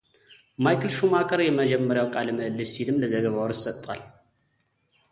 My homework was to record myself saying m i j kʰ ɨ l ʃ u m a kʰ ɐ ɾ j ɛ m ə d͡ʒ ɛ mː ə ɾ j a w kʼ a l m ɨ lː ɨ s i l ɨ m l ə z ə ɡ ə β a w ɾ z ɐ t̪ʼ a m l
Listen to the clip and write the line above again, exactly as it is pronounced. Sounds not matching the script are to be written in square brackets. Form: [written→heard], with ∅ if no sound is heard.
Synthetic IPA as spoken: m [i→a] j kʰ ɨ l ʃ u m a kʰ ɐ ɾ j ɛ m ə d͡ʒ ɛ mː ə ɾ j a w kʼ a l m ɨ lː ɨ s i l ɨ m l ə z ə ɡ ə β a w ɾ [z→s] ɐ t̪ʼ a [m→∅] l